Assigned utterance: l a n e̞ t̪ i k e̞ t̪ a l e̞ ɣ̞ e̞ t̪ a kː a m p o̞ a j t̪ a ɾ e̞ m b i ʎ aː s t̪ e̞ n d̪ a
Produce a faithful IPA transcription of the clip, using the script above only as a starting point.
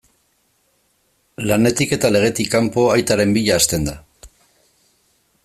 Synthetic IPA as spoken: l a n e̞ t̪ i k e̞ t̪ a l e̞ ɣ̞ e̞ t̪ i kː a m p o̞ a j t̪ a ɾ e̞ m b i ʎ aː s t̪ e̞ n d̪ a